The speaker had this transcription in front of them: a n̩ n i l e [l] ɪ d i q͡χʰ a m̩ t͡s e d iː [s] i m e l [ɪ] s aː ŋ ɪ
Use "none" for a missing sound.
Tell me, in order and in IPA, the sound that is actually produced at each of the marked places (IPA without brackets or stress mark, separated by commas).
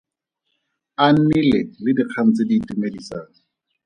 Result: l, t, i